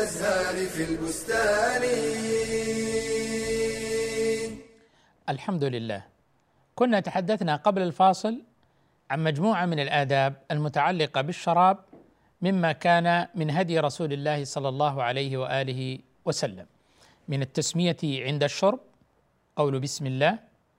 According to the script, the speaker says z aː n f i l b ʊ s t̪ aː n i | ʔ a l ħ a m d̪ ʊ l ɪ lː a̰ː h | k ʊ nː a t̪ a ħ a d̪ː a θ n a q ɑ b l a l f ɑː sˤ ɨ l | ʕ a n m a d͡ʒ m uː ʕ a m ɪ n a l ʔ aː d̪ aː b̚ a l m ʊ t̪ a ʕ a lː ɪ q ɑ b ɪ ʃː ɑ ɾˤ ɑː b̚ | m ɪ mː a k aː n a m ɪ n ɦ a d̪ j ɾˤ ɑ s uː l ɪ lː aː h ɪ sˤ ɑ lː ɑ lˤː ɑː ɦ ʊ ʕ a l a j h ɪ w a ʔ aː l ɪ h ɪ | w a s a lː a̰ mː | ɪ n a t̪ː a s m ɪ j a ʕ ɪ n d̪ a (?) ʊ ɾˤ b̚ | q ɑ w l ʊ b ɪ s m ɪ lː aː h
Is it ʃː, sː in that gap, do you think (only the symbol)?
ʃː